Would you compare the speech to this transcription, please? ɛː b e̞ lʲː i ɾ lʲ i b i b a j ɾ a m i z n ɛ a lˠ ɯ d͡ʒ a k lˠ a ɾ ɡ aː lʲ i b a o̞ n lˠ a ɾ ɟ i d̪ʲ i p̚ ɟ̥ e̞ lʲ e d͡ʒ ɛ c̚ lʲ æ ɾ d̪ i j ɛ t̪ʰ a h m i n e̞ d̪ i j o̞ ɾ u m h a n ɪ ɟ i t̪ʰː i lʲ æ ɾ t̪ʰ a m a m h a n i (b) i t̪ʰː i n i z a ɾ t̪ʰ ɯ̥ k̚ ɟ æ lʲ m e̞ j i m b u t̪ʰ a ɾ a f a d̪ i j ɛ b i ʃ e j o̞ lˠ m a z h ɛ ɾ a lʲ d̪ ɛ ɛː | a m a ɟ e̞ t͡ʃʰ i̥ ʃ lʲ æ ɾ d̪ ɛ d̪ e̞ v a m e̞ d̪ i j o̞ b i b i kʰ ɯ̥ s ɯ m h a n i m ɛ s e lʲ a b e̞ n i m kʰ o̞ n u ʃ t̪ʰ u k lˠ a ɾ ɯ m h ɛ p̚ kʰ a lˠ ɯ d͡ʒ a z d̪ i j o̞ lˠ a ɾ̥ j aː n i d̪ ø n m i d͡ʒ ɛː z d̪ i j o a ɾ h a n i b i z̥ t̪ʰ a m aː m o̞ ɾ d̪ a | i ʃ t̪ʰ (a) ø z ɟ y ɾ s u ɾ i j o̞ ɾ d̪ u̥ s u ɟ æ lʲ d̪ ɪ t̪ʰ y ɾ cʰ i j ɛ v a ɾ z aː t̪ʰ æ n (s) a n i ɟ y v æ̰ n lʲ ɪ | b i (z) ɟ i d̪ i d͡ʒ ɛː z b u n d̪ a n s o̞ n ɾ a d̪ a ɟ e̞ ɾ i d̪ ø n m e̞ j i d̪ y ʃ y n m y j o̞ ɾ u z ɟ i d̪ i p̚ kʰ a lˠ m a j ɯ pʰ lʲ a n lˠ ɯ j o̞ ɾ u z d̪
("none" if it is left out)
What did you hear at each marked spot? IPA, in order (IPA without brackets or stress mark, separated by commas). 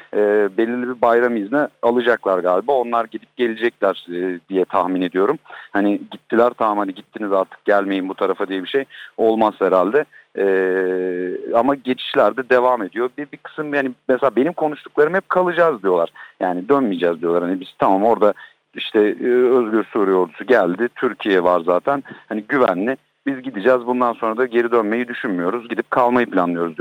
ɟ, ɛ, h, z